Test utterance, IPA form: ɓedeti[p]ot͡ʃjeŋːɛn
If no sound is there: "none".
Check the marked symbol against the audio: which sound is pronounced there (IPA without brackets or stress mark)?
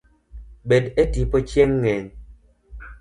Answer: p